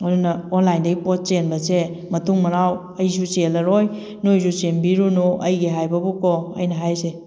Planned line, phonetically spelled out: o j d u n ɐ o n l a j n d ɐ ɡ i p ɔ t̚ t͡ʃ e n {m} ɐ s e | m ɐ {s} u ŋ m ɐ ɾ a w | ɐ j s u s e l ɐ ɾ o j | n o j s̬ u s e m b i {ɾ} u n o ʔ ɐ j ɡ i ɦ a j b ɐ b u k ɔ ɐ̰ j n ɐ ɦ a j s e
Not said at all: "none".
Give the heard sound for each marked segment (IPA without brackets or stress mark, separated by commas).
b, t, ɾ